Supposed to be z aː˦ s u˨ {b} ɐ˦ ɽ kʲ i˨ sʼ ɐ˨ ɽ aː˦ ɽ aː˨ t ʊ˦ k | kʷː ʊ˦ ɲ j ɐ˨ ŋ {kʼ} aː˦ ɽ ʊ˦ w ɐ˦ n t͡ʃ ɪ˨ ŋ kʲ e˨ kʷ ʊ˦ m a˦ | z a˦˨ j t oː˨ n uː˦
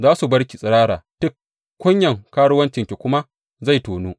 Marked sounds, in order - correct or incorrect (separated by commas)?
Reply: correct, incorrect